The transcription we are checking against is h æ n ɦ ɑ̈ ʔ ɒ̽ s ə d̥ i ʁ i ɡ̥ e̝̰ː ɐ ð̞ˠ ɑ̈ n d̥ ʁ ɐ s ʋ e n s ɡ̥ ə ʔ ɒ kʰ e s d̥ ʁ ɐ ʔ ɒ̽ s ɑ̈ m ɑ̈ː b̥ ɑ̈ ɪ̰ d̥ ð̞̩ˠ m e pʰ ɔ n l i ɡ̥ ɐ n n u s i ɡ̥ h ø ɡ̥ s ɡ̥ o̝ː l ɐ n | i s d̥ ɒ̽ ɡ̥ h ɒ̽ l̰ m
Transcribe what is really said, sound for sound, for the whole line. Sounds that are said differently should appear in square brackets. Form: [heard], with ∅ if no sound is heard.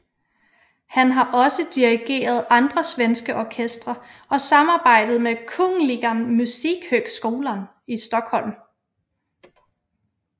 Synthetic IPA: h æ n ɦ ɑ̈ ʔ ɒ̽ s ə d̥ i ʁ i ɡ̥ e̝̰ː ɐ ð̞ˠ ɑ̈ n d̥ ʁ ɐ s ʋ e n s ɡ̥ ə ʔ ɒ kʰ e s d̥ ʁ ɐ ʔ ɒ̽ s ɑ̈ m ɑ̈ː b̥ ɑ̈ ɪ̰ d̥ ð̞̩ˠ m e [kʰ] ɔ [ŋ] l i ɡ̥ ɐ n [m] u s i ɡ̥ h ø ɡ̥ s ɡ̥ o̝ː l ɐ n | i s d̥ ɒ̽ ɡ̥ h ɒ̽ l̰ m